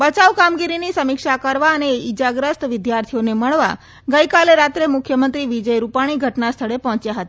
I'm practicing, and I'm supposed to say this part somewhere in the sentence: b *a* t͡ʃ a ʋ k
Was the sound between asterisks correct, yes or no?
no